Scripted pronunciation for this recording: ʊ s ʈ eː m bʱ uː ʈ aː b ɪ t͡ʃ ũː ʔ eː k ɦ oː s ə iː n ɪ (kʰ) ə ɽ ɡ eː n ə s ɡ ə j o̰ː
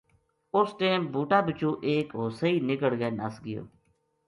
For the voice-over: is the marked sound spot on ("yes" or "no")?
no